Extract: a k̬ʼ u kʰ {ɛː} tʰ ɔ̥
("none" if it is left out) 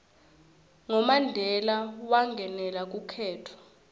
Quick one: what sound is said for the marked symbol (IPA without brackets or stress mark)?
ɛː